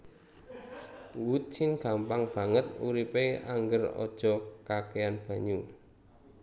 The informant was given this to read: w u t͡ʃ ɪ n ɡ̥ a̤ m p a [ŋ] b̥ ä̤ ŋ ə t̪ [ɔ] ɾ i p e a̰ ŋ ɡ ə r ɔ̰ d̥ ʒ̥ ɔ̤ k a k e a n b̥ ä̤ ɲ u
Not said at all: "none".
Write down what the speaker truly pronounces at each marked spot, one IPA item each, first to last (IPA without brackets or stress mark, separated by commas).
ŋ, u